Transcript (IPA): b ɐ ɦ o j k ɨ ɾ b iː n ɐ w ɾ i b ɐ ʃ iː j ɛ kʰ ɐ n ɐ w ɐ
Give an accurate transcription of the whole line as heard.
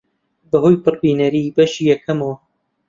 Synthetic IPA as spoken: b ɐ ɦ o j p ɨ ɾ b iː n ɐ ɾ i b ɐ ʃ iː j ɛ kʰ ɐ m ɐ w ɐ